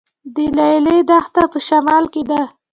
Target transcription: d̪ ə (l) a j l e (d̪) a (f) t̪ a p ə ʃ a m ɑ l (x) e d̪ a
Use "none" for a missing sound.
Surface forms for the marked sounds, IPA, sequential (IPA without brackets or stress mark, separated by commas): l, d̪, x, k